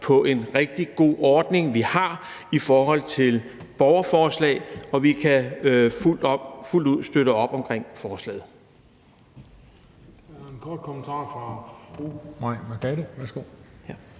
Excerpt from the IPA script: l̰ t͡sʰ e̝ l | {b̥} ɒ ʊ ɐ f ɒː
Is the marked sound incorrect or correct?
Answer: correct